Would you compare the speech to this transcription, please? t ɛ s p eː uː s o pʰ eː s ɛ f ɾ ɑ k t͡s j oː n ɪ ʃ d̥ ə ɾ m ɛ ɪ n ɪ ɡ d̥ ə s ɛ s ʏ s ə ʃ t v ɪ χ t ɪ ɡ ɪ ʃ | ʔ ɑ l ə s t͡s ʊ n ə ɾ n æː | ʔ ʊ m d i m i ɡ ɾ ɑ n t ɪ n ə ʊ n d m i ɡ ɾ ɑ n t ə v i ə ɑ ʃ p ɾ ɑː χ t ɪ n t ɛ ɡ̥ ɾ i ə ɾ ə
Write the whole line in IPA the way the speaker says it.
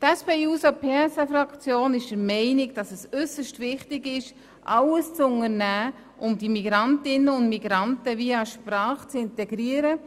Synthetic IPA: t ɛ s p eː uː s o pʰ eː s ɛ f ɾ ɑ k t͡s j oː n ɪ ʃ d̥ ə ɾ m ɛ ɪ n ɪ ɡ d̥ ɑ s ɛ s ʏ s ə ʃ t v ɪ χ t ɪ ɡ ɪ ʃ | ʔ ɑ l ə s t͡s ʊ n ə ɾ n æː | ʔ ʊ m d i m i ɡ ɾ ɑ n t ɪ n ə ʊ n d m i ɡ ɾ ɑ n t ə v i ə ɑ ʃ p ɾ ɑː χ t͡s ɪ n t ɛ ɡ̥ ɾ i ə ɾ ə

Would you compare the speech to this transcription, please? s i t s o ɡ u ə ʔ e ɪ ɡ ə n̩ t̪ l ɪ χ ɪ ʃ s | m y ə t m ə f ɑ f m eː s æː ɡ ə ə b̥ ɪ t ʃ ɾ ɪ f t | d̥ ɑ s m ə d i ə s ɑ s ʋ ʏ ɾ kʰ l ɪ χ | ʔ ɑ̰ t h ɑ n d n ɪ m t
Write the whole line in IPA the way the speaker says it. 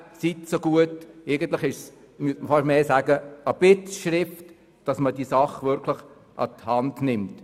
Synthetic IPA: s i t s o ɡ u ə t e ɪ ɡ ə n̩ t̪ l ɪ χ ɪ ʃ s | m y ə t m ə f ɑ ʃ m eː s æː ɡ ə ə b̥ ɪ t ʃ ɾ ɪ f t | d̥ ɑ s m ə d i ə s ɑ χ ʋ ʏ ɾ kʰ l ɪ χ | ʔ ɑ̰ t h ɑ n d n ɪ m t

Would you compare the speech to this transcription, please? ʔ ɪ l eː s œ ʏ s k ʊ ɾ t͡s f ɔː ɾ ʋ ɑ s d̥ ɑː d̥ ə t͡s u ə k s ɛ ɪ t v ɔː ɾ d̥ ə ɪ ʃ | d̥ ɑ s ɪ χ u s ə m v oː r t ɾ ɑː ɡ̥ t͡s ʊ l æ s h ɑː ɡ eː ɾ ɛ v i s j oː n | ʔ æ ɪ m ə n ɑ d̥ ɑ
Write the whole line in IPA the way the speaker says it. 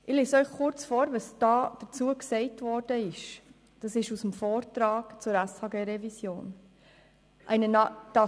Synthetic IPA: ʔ ɪ l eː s œ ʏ χ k ʊ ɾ t͡s f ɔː ɾ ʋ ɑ s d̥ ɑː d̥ ə t͡s u ə k s ɛ ɪ t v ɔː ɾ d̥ ə ɪ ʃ | d̥ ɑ s ɪ ʃ u s ə m f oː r t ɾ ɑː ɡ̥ t͡s ʊ ɾ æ s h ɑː ɡ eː ɾ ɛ v i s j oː n | ʔ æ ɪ n ə n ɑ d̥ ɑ

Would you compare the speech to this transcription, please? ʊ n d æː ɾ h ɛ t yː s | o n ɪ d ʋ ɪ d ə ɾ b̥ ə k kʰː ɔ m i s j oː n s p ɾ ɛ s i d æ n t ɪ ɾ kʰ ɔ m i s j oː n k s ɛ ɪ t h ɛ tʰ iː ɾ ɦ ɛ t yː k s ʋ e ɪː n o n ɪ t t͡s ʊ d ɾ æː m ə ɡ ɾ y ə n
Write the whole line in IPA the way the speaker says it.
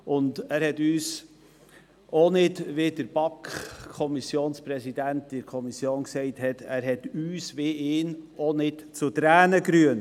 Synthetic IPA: ʊ n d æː ɾ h ɛ t yː s | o n ɪ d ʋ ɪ d ə ɾ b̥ ɑ k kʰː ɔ m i s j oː n s p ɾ ɛ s i d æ n t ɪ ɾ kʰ ɔ m i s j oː n k s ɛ ɪ t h ɛ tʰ æː ɾ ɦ ɛ t yː s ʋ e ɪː n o n ɪ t t͡s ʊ t ɾ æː n ə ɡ ɾ y ə n

